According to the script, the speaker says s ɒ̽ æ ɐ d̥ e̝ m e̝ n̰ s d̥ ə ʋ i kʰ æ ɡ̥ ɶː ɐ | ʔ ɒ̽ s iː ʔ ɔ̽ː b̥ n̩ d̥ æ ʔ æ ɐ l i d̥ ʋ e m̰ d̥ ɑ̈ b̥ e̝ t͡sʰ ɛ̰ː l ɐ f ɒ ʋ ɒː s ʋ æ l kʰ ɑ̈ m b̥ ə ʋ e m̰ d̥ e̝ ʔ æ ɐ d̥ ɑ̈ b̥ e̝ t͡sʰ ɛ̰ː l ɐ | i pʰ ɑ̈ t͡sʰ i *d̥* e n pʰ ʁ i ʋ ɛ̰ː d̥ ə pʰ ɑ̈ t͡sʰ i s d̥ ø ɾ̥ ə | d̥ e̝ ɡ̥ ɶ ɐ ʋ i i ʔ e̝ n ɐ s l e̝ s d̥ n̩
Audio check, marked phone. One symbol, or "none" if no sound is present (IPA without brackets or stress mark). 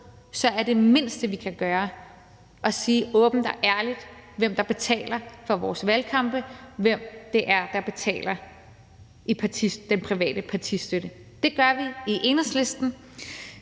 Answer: d̥